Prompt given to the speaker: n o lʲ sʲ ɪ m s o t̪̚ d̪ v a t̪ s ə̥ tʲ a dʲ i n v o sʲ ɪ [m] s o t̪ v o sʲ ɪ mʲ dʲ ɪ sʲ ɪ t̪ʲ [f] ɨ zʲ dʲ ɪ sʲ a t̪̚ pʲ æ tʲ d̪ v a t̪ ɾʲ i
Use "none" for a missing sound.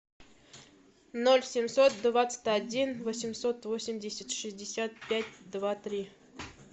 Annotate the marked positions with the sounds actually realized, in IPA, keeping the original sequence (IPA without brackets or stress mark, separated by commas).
m, ʂ